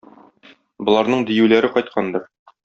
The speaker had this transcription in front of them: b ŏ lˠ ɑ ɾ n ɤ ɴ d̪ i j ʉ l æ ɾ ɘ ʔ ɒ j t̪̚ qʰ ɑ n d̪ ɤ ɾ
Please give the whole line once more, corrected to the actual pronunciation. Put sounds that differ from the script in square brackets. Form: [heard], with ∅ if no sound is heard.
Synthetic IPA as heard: b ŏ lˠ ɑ ɾ n ɤ ɴ d̪ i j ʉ l æ ɾ ɘ [q] ɒ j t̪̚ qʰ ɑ n d̪ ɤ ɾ